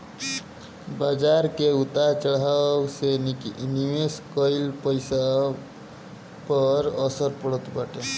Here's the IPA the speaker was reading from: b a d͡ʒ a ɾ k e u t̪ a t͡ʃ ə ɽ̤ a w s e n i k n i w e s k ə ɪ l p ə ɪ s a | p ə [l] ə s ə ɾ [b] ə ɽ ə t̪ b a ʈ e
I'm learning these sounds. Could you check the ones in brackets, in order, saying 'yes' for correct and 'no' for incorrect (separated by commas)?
no, no